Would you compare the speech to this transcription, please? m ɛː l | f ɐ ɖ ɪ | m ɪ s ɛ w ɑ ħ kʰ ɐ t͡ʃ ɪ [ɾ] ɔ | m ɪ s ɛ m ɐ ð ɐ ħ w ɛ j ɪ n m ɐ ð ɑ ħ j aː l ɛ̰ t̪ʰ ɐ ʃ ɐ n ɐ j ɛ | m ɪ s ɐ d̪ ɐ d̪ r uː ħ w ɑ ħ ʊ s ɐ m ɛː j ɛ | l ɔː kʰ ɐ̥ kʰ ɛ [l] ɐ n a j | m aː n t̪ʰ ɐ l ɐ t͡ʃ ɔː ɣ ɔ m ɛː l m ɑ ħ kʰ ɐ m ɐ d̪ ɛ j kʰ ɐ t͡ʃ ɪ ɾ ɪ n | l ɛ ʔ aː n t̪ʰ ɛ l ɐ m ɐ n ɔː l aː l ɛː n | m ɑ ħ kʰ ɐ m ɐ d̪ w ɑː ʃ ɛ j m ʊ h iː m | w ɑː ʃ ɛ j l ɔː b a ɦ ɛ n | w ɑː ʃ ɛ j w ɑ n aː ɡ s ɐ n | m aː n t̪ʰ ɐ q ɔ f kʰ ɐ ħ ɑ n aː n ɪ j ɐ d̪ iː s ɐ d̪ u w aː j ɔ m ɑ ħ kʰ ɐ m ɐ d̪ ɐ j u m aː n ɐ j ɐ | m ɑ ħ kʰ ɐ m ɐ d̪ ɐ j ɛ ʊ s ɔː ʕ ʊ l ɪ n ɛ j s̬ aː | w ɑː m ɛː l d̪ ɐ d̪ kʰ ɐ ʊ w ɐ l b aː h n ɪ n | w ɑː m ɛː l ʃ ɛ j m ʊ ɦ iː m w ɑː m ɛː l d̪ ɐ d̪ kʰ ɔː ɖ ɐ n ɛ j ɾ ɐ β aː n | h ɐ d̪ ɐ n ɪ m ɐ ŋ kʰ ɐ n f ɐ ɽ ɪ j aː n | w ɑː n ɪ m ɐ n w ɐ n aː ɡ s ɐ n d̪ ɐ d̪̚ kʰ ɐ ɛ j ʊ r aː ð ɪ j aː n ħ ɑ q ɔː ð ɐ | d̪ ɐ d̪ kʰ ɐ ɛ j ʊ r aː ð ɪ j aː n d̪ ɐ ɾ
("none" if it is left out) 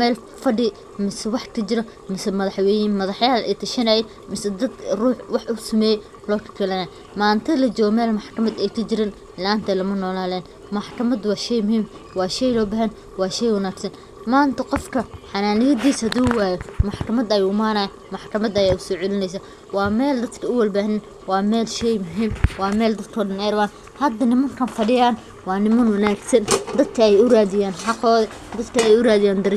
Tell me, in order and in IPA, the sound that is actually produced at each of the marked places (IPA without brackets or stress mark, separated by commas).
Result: ɾ, l